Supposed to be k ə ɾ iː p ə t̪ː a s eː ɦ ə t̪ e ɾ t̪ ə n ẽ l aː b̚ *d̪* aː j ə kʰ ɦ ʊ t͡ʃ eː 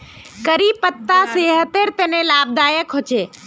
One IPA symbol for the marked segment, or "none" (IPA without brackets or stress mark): d̪